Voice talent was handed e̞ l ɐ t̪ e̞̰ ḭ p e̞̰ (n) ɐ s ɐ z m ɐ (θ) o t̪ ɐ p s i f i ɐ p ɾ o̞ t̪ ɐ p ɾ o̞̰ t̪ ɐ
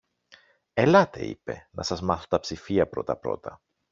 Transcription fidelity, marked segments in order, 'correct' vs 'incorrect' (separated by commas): correct, correct